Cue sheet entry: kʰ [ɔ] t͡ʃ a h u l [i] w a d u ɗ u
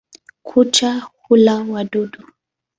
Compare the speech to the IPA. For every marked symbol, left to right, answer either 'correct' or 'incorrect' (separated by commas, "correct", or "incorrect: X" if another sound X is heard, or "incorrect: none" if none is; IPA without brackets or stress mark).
incorrect: u, incorrect: a